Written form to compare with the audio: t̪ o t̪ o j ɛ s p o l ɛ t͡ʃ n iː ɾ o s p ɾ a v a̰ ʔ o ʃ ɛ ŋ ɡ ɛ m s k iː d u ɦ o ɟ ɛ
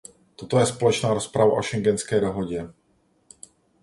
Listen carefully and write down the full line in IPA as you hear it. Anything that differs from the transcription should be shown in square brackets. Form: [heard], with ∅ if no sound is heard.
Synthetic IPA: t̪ o t̪ o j ɛ s p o l ɛ t͡ʃ n [aː] ɾ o s p ɾ a v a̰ ʔ o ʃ ɛ ŋ ɡ ɛ [n] s k [ɛː] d [o] ɦ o ɟ ɛ